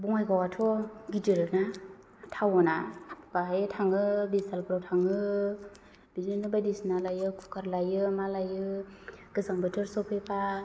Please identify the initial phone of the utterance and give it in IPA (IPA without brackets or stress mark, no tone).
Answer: b